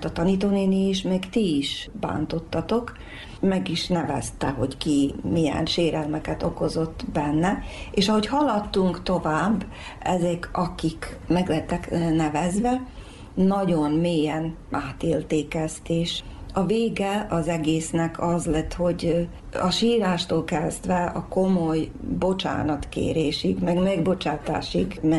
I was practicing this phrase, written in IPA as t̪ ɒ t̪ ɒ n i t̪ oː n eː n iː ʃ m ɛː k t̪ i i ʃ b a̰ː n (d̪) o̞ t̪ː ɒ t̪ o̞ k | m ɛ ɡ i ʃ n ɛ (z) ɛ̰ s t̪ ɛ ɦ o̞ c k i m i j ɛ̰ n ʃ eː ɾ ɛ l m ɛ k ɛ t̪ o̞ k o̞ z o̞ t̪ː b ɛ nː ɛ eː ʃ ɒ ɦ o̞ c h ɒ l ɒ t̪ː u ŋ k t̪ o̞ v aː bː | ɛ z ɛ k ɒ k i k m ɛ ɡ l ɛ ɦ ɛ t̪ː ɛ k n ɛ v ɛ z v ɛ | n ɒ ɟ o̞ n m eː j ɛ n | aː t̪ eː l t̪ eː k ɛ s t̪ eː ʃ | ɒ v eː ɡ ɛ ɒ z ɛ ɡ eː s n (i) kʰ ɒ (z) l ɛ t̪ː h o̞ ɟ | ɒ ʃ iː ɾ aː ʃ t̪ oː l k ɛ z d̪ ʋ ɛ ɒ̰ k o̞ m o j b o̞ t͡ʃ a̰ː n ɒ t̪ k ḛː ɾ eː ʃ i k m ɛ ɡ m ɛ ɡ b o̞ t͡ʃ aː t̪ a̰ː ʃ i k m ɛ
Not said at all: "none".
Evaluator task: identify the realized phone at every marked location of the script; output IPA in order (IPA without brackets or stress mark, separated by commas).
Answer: t̪, v, ɛ, z